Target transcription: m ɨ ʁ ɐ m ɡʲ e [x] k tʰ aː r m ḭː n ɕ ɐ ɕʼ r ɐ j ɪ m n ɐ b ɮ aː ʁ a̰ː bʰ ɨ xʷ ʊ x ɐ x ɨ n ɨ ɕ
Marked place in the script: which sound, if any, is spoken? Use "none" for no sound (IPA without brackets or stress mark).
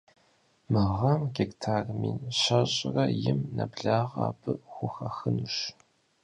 none